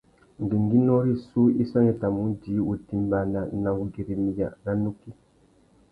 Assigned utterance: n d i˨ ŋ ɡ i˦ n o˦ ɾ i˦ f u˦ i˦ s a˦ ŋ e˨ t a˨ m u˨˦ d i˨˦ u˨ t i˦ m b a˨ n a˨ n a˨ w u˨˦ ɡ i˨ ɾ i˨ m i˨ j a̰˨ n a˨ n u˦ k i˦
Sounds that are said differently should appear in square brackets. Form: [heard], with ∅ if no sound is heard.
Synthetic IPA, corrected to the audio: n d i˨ ŋ ɡ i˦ n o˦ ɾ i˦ [s] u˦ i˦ s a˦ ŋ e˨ t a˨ m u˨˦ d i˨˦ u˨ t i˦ m b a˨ n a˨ n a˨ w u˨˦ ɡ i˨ ɾ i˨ m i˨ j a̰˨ n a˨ n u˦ k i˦

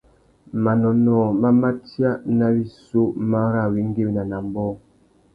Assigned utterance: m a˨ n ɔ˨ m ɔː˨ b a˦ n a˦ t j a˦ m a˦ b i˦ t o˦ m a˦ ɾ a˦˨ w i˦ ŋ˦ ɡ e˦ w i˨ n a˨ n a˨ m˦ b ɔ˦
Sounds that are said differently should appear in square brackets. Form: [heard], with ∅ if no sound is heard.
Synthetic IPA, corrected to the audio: m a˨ n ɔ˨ [n] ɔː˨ [m] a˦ [m] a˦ t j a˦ [n] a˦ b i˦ [s] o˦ m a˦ ɾ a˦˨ w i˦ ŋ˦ ɡ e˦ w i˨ n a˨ n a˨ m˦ b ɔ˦

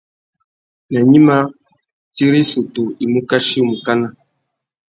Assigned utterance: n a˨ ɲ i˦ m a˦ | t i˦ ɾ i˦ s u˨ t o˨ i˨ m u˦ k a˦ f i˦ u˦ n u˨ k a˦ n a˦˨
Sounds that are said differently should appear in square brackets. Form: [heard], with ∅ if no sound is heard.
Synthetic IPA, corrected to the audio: n a˨ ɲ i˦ m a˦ | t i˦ ɾ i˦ s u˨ t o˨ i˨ m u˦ k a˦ [ʃ] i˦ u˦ [m] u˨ k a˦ n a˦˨

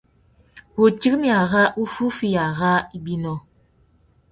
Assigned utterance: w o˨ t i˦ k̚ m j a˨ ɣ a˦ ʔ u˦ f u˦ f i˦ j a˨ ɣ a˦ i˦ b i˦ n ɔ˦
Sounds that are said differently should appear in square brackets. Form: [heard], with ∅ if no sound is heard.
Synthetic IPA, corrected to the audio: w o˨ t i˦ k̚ m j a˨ ɣ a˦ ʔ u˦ f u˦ f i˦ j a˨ ɣ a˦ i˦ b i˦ n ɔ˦

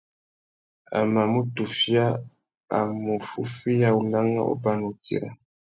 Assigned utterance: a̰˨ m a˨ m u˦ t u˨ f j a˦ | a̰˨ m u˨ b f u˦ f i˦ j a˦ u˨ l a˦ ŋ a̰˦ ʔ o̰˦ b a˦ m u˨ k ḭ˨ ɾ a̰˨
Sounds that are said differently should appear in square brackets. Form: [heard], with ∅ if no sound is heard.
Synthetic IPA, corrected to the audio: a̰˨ m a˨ m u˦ t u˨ f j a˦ | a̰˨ m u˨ [∅] f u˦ f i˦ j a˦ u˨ l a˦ ŋ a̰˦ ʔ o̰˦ b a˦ [n] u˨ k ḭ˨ ɾ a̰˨

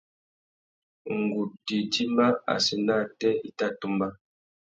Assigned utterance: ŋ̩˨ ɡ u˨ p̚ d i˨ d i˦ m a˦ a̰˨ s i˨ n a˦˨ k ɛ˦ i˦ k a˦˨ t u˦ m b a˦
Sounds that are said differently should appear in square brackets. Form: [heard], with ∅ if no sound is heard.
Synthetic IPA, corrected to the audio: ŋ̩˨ ɡ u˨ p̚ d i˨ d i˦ m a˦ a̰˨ s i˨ n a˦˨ [t] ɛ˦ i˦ [t] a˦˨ t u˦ m b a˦

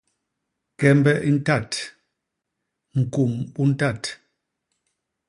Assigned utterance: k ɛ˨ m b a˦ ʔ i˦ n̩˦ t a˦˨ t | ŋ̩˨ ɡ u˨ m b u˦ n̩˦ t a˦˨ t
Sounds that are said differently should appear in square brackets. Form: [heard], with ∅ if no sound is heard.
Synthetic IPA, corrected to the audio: k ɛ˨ m b [ɛ˦] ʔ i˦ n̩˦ t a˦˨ t | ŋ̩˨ [k] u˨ m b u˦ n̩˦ t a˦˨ t

